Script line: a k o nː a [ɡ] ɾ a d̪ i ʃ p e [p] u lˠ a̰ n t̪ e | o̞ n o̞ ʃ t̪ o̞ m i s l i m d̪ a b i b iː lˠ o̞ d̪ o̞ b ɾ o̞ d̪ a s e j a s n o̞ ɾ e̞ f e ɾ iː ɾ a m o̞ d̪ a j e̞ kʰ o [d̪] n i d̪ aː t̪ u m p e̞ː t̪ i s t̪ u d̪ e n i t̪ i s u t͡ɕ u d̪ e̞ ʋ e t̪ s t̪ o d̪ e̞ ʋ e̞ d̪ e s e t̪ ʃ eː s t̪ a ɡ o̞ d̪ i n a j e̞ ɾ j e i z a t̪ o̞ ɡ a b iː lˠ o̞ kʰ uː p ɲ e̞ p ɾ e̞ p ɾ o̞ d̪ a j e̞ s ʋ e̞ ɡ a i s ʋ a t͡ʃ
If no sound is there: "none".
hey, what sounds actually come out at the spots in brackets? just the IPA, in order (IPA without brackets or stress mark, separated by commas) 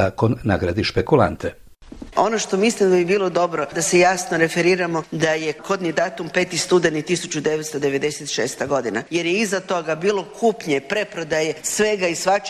ɡ, k, d̪